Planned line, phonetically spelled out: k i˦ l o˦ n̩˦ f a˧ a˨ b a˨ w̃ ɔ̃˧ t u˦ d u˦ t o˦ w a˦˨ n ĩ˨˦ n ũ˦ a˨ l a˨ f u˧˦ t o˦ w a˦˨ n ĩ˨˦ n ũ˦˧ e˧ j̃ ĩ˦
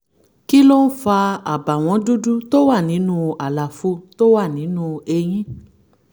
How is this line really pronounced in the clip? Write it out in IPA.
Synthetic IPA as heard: k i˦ l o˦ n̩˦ f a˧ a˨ b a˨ w̃ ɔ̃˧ d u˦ d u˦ t o˦ w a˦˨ n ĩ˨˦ n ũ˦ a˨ l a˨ f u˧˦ t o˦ w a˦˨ n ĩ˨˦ n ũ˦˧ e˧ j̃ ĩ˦